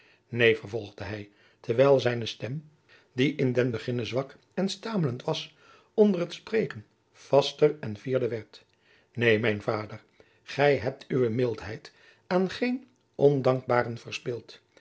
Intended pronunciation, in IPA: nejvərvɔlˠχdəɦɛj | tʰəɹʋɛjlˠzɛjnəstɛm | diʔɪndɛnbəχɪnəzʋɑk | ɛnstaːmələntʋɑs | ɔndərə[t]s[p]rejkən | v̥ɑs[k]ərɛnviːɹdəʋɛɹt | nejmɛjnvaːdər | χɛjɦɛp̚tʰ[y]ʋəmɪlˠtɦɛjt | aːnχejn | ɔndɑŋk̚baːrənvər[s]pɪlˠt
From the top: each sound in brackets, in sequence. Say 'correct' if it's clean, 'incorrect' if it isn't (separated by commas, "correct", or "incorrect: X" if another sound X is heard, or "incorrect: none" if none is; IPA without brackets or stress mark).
correct, correct, incorrect: t, correct, correct